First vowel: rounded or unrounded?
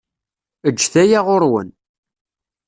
unrounded